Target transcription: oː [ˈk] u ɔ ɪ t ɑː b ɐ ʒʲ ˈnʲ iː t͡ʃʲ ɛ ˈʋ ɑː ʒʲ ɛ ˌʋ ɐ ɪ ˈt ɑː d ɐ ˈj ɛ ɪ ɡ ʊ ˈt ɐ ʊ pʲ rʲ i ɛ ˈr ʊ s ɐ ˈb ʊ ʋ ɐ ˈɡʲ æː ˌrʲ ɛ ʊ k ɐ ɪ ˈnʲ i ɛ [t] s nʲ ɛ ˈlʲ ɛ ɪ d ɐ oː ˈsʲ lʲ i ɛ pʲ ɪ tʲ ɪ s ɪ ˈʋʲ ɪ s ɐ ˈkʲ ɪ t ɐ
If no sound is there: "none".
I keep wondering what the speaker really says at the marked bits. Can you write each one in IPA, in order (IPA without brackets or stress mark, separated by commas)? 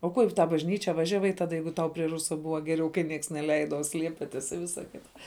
k, k